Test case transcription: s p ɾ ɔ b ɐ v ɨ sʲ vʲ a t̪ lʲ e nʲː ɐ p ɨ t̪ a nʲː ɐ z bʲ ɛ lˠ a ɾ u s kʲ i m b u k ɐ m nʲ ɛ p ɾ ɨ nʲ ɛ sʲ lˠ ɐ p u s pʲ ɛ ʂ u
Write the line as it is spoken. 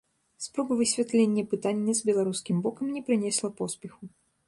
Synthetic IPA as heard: s p ɾ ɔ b ɐ v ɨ sʲ vʲ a t̪ lʲ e nʲː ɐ p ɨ t̪ a nʲː ɐ z bʲ ɛ lˠ a ɾ u s kʲ i m b ɔ k ɐ m nʲ ɛ p ɾ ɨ nʲ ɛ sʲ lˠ ɐ p ɔ s pʲ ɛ x u